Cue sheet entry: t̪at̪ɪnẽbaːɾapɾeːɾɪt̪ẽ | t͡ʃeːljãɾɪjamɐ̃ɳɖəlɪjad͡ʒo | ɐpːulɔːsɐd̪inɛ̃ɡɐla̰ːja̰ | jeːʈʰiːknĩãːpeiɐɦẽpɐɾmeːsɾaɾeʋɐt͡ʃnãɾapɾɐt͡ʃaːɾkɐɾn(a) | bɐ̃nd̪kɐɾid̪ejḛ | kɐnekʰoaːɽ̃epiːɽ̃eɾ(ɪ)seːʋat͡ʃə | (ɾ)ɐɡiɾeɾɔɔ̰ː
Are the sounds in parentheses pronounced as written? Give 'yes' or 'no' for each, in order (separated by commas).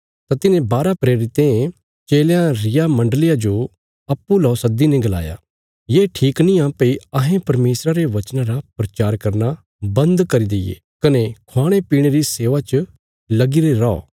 yes, no, no